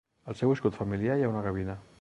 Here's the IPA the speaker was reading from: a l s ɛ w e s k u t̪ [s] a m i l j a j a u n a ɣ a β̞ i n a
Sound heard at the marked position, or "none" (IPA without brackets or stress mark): f